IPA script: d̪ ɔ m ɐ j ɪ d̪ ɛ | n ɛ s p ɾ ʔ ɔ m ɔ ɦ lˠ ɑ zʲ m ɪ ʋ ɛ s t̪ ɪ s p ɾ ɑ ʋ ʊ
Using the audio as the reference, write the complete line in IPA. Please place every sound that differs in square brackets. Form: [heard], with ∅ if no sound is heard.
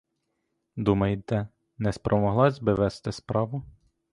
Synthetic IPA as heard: d̪ [u] m ɐ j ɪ [t̪] ɛ | n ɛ s p ɾ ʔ ɔ m ɔ ɦ lˠ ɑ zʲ [b] ɪ ʋ ɛ s t̪ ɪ s p ɾ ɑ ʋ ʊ